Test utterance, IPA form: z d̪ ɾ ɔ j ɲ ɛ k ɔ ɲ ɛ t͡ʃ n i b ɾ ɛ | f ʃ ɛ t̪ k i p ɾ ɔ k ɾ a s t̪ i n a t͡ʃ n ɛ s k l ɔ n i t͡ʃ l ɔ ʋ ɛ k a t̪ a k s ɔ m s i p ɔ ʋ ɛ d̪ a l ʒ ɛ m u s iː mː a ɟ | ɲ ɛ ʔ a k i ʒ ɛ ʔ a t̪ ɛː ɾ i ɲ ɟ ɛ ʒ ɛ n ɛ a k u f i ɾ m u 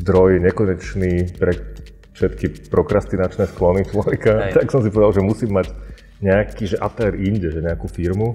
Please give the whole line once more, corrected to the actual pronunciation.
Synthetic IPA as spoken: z d̪ ɾ ɔ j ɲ ɛ k ɔ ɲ ɛ t͡ʃ n i p ɾ ɛ | f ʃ ɛ t̪ k i p ɾ ɔ k ɾ a s t̪ i n a t͡ʃ n ɛ s k l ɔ n i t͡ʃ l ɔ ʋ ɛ k a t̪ a k s ɔ m s i p ɔ ʋ ɛ d̪ a l ʒ ɛ m u s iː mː a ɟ | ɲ ɛ a k i ʒ ɛ ʔ a t̪ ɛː ɾ i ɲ ɟ ɛ ʒ ɛ ɲ ɛ a k u f i ɾ m u